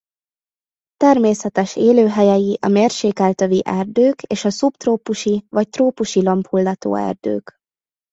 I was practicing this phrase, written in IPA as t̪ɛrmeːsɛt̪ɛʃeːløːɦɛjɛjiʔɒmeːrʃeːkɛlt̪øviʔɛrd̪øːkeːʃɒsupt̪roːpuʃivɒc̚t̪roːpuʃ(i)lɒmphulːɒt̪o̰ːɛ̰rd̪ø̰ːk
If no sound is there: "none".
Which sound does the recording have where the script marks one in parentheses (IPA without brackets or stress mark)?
i